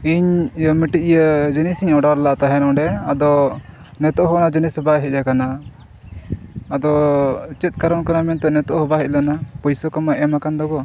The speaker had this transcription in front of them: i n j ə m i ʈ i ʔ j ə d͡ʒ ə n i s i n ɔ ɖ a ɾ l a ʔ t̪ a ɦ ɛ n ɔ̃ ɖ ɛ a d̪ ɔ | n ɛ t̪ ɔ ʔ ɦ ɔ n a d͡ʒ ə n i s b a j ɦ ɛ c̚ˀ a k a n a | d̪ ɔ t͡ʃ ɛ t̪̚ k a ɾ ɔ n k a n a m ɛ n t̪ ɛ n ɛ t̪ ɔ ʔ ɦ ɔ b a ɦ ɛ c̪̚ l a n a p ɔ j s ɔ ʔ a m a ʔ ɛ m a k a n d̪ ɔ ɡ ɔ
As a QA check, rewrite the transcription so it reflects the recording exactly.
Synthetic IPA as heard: i ɲ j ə m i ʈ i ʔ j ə d͡ʒ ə n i s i ɲ ɔ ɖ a ɾ l a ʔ t̪ a ɦ ɛ n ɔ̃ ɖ ɛ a d̪ ɔ | n ɛ t̪ ɔ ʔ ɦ ɔ n a d͡ʒ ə n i s b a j ɦ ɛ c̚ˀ a k a n a | d̪ ɔ t͡ʃ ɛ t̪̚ k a ɾ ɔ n k a n a m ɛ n t̪ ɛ n ɛ t̪ ɔ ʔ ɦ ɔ b a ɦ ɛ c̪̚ l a n a p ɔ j s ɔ k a m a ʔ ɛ m a k a n d̪ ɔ ɡ ɔ